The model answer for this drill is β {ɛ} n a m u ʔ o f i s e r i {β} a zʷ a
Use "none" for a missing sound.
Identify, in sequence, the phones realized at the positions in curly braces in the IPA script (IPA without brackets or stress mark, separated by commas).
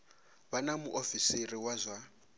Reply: a, w